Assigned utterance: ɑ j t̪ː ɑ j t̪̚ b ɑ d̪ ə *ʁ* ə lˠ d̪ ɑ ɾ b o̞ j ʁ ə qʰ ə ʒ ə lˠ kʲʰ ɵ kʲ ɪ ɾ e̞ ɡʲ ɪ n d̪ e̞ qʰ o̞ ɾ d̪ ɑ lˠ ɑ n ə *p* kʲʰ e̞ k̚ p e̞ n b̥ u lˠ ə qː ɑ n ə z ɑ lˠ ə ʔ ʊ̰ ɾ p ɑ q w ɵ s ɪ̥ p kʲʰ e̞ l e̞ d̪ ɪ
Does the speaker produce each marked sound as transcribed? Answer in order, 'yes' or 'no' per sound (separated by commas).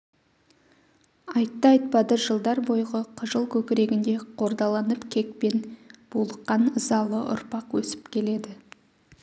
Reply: no, yes